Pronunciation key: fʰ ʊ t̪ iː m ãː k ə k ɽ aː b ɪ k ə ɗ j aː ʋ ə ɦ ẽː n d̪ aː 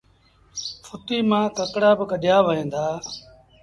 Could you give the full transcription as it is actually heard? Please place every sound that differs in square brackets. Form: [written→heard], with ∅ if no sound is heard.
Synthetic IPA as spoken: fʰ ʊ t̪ iː m ãː k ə k ɽ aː b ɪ k ə ɗ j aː ʋ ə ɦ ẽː n d̪ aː